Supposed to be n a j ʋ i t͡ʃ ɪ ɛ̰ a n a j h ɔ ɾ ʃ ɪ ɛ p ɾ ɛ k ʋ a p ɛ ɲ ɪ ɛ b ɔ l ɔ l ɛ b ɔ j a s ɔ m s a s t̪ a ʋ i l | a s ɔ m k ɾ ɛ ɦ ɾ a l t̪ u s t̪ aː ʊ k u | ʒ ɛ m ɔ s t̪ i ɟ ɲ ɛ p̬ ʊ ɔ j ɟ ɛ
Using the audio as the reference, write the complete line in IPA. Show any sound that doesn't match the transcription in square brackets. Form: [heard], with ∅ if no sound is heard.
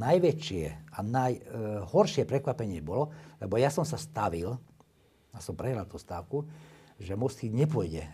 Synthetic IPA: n a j ʋ [ɛ] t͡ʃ ɪ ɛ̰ a n a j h ɔ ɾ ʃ ɪ ɛ p ɾ ɛ k ʋ a p ɛ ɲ ɪ ɛ b ɔ l ɔ l ɛ b ɔ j a s ɔ m s a s t̪ a ʋ i l | a s ɔ m [p] ɾ ɛ ɦ ɾ a l t̪ u s t̪ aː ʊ k u | ʒ ɛ m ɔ s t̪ i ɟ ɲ ɛ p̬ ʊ ɔ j ɟ ɛ